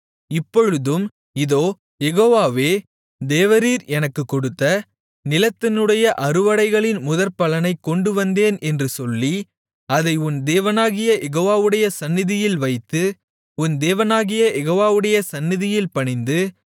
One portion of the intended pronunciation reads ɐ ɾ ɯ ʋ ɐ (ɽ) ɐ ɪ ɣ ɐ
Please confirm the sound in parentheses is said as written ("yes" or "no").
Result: yes